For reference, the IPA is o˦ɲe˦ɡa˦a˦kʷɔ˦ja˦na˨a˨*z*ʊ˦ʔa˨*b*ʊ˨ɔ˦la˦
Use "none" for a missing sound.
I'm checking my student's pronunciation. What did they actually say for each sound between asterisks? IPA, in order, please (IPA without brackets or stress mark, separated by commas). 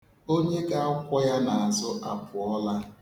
z, p